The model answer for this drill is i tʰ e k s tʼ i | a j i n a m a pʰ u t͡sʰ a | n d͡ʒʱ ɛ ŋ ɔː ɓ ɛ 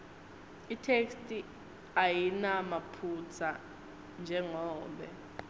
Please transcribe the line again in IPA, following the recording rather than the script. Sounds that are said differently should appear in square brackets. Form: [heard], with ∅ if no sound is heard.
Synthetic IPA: i tʰ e k s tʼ i | a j i n a m a pʰ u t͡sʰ a | n d͡ʒʱ ɛ ŋ ɔː ɓ ɛ